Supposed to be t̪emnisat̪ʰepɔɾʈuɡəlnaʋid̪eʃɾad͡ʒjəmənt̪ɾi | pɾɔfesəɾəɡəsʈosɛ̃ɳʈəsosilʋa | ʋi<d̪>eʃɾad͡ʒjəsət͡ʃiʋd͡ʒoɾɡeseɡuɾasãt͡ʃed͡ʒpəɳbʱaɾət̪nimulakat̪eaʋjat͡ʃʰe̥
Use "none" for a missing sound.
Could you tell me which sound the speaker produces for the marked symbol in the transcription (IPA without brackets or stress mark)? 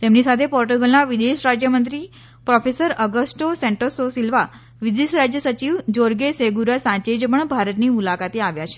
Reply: d̪